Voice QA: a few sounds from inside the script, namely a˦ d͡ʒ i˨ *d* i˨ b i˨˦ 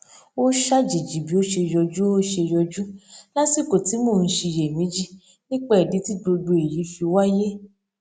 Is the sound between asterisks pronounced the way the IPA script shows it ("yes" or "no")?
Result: no